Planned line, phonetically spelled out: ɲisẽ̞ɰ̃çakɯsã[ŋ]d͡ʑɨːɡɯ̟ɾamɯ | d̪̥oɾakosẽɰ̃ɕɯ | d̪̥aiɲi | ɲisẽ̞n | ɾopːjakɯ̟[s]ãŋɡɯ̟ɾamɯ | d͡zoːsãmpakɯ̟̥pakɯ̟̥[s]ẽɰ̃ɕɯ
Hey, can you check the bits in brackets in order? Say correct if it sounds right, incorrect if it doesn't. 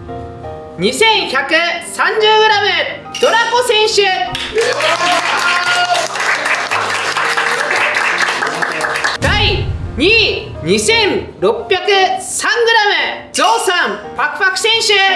incorrect: ɲ, correct, correct

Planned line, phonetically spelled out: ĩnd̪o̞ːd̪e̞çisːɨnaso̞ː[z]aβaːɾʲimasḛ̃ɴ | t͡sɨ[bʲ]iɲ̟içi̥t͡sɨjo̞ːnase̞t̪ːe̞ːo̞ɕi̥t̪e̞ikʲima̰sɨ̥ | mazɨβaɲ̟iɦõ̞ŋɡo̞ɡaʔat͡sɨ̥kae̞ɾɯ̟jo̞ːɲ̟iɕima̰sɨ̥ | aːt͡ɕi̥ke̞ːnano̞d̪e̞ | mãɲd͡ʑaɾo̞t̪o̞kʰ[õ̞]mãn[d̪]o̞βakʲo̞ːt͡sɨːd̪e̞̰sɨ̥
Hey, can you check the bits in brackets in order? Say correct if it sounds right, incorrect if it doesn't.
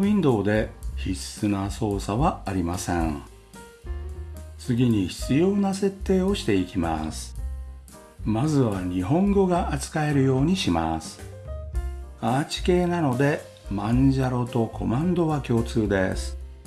incorrect: s, incorrect: ɡʲ, incorrect: o̞, correct

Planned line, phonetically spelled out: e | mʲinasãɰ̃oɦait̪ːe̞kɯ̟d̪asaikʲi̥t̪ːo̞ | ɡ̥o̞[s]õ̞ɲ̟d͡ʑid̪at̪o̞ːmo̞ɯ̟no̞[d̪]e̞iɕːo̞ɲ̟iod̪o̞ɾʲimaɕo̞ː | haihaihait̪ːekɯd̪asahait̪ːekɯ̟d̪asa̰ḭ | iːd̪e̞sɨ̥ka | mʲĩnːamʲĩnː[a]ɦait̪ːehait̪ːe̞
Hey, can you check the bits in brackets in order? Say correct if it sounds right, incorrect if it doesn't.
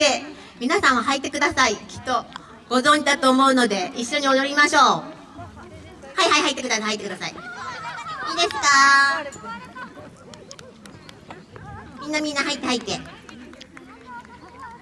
incorrect: z, correct, correct

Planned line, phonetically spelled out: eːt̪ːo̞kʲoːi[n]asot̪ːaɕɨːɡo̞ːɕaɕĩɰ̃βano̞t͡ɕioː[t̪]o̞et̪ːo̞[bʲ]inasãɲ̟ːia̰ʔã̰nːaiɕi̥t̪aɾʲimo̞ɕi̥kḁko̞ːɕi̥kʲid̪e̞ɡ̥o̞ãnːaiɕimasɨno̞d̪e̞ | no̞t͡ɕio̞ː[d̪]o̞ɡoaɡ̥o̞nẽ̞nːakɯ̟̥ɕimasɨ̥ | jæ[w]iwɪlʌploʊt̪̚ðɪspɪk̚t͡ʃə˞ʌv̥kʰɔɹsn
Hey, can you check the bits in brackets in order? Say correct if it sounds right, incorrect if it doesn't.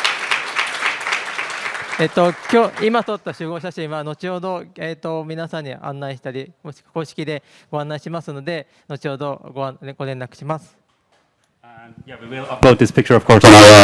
incorrect: m, incorrect: d̪, incorrect: mʲ, correct, correct

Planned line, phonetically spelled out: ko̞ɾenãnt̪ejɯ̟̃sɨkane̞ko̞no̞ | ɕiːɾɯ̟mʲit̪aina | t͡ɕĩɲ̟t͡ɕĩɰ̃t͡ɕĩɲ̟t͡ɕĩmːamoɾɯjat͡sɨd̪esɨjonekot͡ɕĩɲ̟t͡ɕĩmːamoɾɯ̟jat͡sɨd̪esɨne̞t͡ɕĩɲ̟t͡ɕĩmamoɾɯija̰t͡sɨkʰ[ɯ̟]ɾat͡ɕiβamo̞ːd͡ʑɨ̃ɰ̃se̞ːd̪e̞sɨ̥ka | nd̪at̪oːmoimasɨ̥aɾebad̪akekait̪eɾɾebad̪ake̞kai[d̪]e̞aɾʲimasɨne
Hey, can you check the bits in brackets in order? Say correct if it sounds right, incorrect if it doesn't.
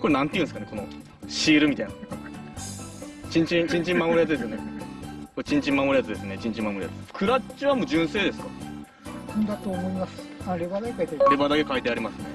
correct, incorrect: t̪

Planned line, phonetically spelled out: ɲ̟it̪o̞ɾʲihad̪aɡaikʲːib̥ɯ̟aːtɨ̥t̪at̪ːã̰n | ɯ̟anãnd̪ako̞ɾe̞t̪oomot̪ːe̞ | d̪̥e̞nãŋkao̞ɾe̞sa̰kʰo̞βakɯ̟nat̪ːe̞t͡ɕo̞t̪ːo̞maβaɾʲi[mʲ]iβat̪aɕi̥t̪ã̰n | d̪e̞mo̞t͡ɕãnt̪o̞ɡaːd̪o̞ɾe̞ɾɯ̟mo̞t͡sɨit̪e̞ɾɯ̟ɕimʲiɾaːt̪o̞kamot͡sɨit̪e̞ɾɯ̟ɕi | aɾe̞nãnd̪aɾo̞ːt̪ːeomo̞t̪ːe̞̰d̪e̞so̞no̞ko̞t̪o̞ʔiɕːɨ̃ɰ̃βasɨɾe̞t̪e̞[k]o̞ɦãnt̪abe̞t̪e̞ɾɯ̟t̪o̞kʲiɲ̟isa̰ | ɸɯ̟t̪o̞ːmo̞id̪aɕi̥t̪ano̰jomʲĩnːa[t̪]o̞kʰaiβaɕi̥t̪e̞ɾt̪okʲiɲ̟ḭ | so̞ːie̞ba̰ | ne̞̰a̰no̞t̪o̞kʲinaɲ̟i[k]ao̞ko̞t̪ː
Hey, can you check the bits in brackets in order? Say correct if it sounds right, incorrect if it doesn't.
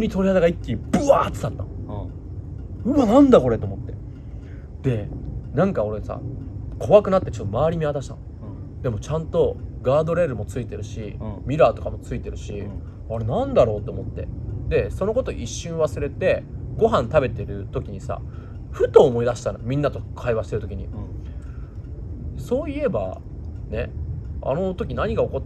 correct, incorrect: ɡ, correct, incorrect: ɡ

